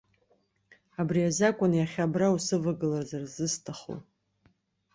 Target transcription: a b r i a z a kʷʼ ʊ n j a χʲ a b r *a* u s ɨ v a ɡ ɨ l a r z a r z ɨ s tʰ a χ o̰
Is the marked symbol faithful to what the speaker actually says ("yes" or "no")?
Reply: yes